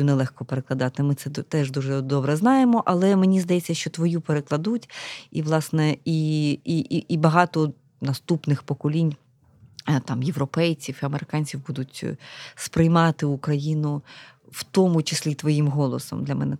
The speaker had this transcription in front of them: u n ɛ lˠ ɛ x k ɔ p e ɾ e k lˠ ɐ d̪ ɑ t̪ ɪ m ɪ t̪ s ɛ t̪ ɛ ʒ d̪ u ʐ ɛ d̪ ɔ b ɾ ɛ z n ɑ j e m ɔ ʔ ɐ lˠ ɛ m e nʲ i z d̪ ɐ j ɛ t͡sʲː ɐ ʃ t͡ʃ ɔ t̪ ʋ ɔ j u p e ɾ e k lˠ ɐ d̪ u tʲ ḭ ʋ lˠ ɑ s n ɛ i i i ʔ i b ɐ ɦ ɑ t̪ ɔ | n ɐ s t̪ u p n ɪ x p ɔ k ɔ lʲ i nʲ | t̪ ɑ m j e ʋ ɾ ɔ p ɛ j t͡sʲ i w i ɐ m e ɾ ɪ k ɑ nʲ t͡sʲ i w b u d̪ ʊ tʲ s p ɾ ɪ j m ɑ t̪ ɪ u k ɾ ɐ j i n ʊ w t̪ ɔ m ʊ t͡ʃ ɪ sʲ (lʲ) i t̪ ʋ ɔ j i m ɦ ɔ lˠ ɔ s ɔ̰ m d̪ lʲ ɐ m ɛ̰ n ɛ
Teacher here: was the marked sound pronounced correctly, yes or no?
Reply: yes